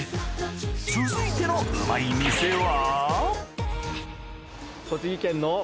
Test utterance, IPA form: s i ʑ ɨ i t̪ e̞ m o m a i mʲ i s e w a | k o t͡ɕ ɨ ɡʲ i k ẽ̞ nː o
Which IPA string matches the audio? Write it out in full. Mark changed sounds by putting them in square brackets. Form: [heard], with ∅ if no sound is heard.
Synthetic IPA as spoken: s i [z] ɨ i t̪ e̞ [n] o m a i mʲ i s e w a | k o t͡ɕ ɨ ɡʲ i k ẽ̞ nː o